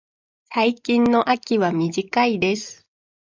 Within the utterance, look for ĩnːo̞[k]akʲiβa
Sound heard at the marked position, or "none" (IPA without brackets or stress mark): ʔ